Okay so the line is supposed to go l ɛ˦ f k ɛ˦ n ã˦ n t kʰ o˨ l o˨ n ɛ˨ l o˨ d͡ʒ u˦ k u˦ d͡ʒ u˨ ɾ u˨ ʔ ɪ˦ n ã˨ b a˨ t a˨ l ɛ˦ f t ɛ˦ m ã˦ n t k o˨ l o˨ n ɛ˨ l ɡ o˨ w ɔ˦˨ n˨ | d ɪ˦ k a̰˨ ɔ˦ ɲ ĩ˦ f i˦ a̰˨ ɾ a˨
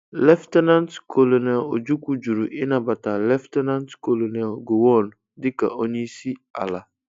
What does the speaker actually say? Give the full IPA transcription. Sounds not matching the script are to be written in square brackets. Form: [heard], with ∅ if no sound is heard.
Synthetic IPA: l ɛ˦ f [t] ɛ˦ n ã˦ n t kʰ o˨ l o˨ n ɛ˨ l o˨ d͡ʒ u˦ k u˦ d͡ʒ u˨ ɾ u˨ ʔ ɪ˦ n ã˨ b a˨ t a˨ l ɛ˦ f t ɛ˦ [n] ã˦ n t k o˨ l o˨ n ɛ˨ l ɡ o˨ w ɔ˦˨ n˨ | d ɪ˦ k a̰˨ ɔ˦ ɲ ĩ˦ [s] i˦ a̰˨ [l] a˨

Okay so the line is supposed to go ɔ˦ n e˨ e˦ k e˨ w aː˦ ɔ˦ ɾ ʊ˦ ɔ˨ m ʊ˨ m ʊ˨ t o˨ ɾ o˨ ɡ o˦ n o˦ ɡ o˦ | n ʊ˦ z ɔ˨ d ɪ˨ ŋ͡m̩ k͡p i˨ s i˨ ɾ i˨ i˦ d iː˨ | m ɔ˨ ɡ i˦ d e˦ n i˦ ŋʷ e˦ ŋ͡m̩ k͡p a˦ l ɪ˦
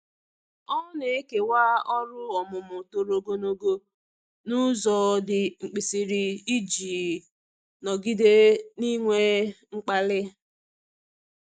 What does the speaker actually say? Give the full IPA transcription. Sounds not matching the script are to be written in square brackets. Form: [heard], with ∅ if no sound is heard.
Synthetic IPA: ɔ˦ n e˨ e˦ k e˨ w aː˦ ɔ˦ ɾ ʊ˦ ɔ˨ m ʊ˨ m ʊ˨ t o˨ ɾ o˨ ɡ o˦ n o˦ ɡ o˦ | n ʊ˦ z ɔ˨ d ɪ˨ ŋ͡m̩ k͡p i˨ s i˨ ɾ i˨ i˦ [d͡ʒ] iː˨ | [n] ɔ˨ ɡ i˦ d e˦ n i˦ ŋʷ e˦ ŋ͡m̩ k͡p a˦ l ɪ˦

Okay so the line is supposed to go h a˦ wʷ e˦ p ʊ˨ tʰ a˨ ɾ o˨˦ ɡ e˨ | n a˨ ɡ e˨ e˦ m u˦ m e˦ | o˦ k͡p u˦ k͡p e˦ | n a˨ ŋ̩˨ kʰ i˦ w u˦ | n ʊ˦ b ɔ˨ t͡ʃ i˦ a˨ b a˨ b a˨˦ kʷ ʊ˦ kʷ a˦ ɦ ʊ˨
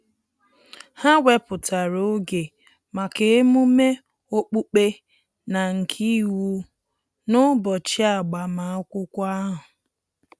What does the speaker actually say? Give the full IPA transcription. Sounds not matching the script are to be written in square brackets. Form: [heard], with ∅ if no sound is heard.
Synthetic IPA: h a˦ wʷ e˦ p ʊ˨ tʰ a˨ ɾ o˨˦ ɡ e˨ | [m] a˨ [k] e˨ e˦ m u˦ m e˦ | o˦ k͡p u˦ k͡p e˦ | n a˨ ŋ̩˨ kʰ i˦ w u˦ | n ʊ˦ b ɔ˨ t͡ʃ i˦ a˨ [ɡ͡b] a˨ [m] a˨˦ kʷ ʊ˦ kʷ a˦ ɦ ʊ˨

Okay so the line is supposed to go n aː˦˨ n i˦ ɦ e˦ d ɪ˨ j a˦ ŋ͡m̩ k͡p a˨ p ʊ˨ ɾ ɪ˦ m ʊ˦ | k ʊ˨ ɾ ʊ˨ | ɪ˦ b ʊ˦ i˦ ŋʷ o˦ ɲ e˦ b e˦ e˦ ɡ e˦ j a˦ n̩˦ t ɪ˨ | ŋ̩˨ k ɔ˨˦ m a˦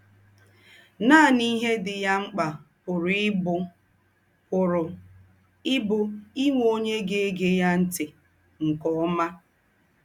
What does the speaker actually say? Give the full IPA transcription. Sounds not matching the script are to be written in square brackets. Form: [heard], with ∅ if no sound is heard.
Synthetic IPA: n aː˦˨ n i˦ ɦ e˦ d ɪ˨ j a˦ ŋ͡m̩ k͡p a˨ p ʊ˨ ɾ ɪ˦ [b] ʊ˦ | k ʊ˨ ɾ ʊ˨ | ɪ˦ b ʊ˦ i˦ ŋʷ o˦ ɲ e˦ [ɡ] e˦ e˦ ɡ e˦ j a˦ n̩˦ t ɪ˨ | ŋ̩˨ k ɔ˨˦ m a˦

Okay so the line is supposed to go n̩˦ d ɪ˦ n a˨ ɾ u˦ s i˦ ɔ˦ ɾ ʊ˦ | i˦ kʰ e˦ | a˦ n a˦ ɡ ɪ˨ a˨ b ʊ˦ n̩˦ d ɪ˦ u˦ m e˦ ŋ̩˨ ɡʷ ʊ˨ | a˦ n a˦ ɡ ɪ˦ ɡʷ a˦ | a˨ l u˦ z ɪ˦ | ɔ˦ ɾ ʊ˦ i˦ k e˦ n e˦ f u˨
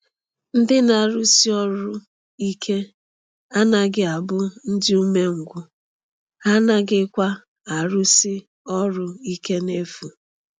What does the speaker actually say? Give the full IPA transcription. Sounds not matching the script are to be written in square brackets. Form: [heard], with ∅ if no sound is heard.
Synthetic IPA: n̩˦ d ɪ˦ n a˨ ɾ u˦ s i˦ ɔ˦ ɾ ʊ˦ | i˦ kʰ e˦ | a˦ n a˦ ɡ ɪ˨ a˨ b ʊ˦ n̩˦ d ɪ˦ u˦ m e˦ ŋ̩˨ ɡʷ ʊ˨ | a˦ n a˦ ɡ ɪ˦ [kʷ] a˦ | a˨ [ɾ] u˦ [s] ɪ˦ | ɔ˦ ɾ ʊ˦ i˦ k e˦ n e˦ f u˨

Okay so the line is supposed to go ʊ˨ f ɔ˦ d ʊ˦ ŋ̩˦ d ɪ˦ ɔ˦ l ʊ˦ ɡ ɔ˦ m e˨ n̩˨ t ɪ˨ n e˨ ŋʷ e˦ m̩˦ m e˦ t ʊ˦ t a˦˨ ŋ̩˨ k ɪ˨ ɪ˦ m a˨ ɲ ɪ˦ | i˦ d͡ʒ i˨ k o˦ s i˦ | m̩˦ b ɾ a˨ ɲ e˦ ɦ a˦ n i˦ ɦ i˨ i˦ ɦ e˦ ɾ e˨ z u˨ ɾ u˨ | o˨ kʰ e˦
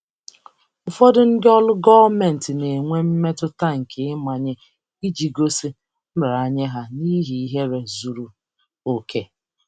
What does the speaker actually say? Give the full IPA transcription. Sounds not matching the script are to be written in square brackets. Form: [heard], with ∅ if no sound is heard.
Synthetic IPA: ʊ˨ f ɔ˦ d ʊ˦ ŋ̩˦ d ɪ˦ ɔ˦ l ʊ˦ ɡ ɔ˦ m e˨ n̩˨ t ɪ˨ n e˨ ŋʷ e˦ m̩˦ m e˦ t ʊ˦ t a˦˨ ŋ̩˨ k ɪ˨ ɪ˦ m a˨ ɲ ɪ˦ | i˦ d͡ʒ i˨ [ɡ] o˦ s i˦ | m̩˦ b ɾ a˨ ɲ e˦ ɦ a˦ n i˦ ɦ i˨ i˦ ɦ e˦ ɾ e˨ z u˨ ɾ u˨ | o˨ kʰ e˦

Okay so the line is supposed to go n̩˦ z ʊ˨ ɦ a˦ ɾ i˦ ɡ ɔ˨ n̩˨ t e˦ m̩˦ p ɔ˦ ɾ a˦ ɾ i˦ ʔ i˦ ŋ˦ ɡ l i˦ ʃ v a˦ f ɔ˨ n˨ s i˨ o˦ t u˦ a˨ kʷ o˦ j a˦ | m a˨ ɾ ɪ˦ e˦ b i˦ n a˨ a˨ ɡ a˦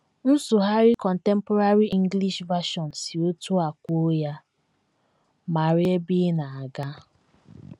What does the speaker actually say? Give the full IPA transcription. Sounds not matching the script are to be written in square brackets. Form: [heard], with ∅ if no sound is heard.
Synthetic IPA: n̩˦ [s] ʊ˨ ɦ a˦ ɾ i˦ [k] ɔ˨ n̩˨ t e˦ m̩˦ p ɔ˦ ɾ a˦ ɾ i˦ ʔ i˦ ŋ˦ ɡ l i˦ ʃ v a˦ [ʃ] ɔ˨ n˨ s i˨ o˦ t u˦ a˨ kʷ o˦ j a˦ | m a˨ ɾ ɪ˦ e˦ b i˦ n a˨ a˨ ɡ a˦

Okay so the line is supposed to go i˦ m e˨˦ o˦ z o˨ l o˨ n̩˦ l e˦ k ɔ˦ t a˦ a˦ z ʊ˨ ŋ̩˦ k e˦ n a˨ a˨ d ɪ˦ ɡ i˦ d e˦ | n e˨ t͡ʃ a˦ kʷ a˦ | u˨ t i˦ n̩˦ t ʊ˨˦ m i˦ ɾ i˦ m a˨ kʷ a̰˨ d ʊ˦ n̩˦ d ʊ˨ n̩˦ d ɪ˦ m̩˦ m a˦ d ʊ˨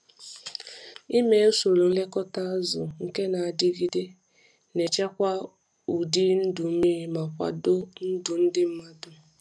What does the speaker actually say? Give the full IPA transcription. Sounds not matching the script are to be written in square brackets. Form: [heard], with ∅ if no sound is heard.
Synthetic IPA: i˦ m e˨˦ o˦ [s] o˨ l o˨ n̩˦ l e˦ k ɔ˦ t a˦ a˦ z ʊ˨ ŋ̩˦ k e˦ n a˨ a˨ d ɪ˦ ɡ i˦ d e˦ | n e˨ t͡ʃ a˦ kʷ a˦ | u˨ [d] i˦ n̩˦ [d] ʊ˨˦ m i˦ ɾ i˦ m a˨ kʷ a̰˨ d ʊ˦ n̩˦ d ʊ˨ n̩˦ d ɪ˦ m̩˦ m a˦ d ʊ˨

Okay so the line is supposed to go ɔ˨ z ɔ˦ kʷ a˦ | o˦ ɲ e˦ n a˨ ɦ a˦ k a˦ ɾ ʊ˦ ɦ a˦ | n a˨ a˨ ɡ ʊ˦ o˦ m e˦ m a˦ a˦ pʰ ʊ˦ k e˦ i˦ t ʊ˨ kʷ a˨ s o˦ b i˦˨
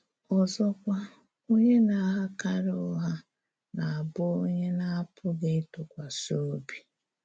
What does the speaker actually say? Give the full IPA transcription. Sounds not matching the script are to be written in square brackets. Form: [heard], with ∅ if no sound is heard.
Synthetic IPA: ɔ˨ z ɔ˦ kʷ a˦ | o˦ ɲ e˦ n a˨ ɦ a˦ k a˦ ɾ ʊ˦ ɦ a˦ | n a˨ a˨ [b] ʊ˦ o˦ [ɲ] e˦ [n] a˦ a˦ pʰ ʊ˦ [ɡ] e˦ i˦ t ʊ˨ kʷ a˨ s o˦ b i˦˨

